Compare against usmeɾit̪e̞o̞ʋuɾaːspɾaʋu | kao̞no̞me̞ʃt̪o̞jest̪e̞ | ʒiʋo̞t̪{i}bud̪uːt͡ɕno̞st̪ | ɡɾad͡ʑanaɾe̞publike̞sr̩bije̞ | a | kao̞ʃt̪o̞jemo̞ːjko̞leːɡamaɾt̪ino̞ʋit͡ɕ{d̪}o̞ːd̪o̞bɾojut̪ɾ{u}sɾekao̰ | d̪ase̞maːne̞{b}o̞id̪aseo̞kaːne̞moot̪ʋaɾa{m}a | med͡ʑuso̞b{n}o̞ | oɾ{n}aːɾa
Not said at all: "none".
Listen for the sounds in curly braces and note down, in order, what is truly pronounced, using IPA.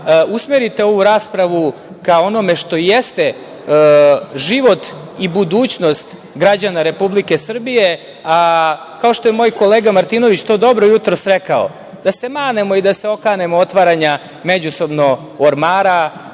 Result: i, t̪, o, m, ɲ, n, m

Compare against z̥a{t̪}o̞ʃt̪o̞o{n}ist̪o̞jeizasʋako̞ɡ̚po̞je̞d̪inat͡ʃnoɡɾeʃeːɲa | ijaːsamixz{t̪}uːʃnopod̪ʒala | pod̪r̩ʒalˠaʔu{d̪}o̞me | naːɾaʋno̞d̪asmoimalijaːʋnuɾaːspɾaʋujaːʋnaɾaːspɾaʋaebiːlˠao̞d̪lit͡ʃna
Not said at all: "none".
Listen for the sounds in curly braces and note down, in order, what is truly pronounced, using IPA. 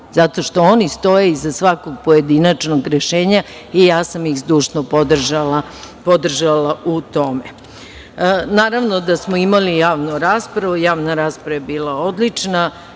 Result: t̪, n, d̪, t̪

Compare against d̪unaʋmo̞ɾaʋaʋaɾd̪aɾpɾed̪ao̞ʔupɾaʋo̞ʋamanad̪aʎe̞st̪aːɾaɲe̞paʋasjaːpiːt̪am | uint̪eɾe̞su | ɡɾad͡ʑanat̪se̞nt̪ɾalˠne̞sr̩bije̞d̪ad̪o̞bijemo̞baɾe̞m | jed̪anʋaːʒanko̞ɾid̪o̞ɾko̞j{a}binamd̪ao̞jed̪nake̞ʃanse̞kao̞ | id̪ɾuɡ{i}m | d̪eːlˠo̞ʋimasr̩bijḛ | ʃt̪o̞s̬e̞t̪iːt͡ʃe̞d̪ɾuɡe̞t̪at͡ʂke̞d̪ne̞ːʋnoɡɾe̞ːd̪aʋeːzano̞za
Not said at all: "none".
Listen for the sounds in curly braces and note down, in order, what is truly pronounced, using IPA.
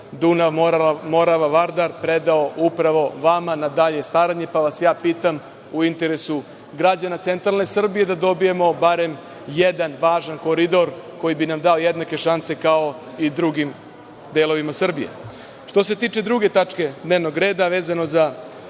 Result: i, i

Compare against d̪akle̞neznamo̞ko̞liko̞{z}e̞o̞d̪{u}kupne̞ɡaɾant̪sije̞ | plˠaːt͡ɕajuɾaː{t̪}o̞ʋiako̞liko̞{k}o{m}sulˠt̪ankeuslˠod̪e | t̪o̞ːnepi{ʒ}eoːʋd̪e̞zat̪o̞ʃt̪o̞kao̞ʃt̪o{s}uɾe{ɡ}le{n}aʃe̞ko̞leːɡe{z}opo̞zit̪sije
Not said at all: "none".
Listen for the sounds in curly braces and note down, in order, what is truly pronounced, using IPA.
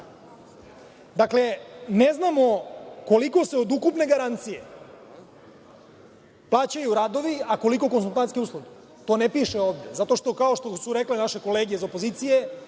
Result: s, u, d̪, k, n, ʃ, s, k, n, z

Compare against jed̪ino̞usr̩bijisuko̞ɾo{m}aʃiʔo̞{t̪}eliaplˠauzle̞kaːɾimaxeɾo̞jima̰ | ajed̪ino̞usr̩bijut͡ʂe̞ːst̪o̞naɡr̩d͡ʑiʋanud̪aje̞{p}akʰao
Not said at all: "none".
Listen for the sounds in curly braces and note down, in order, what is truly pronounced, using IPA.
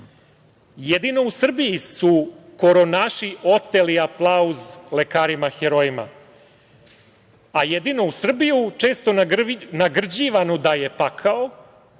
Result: n, t̪, p

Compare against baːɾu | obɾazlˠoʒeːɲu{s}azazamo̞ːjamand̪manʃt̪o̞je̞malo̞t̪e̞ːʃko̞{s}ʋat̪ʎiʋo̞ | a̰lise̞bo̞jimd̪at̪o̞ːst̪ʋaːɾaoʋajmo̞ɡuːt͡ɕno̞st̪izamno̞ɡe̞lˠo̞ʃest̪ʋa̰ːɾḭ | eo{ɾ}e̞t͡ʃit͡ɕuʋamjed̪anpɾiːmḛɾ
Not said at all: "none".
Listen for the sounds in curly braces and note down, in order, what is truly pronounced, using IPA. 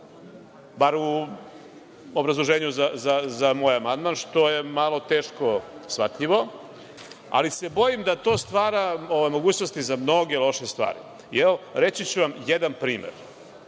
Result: z, s, ɾ

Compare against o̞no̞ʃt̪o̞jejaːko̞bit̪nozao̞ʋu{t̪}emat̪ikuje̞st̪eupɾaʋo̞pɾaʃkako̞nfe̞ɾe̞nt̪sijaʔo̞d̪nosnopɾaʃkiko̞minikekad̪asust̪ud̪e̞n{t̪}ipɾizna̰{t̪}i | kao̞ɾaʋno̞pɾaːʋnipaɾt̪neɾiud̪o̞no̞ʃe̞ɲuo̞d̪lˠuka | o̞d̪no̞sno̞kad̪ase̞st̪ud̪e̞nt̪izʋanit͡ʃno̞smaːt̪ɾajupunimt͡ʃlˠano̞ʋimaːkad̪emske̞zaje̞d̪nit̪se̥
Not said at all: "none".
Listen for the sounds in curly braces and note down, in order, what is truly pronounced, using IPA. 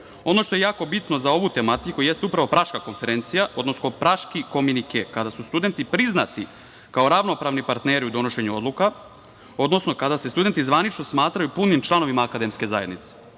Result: t̪, t̪, t̪

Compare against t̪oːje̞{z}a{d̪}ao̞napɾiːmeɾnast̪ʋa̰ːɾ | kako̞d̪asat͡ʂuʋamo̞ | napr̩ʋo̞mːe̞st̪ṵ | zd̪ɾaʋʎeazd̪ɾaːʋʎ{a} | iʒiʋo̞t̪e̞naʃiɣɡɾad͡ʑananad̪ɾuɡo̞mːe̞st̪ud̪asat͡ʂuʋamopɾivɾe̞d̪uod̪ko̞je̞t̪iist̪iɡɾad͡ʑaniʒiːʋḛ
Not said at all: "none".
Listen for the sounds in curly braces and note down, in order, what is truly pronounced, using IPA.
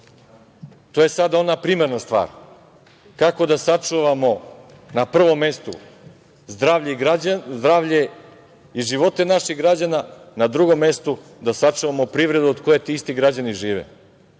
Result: s, d̪, e

